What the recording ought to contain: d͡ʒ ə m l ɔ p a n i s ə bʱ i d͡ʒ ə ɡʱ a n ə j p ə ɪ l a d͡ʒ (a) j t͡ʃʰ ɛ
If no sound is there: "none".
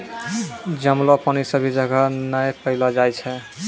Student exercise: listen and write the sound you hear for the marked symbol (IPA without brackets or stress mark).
a